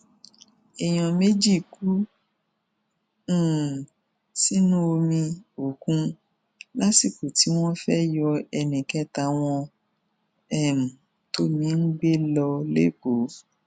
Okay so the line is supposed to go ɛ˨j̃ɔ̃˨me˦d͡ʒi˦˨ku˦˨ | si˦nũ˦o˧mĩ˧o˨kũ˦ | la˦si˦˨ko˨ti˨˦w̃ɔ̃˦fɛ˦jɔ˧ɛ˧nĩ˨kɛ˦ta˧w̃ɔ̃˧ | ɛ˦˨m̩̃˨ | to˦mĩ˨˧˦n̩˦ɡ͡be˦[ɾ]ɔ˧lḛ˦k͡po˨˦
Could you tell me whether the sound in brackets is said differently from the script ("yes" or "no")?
yes